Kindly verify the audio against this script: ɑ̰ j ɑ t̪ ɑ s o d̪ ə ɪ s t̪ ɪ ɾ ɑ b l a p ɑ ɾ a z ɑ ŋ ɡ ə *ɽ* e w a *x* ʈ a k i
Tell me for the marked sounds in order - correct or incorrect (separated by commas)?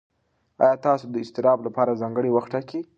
correct, correct